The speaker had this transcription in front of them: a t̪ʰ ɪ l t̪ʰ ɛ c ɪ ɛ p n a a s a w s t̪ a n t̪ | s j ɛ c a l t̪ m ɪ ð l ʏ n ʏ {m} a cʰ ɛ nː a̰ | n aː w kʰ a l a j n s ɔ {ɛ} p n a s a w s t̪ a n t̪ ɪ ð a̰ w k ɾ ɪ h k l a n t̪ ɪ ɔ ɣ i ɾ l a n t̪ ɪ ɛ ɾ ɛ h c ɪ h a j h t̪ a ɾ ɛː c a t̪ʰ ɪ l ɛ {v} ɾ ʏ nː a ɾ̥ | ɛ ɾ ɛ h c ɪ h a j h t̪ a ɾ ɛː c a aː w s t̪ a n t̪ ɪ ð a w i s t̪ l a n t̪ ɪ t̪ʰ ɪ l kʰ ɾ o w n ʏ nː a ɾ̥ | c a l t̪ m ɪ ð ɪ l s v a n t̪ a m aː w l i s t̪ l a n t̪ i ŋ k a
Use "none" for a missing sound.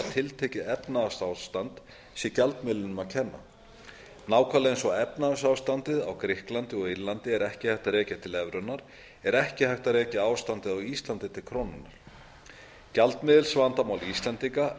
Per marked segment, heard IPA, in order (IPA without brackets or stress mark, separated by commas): m, ɛ, v